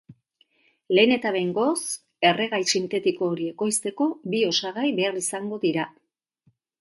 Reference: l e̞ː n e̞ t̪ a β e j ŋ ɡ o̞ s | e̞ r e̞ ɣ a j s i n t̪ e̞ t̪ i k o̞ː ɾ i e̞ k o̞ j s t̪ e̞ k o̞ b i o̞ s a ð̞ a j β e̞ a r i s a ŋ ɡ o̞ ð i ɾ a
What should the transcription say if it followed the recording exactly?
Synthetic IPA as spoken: l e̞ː n e̞ t̪ a β e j ŋ ɡ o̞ s | e̞ r e̞ ɣ a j s i n t̪ e̞ t̪ i k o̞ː ɾ i e̞ k o̞ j s t̪ e̞ k o̞ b i o̞ s a ɣ̞ a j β e̞ a r i s a ŋ ɡ o̞ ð i ɾ a